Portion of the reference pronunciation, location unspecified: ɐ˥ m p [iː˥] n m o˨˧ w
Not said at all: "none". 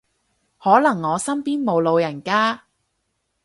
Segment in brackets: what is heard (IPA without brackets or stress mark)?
iː˥